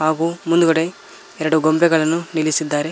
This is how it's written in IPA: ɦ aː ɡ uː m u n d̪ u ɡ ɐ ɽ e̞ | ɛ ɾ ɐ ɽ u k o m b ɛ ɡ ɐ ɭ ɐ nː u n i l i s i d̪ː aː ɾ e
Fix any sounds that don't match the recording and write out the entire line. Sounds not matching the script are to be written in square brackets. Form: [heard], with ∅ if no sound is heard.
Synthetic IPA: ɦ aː ɡ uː m u n d̪ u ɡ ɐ ɽ e̞ | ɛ ɾ ɐ ɽ u [ɡ] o m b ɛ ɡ ɐ ɭ ɐ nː u n i l i s i d̪ː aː ɾ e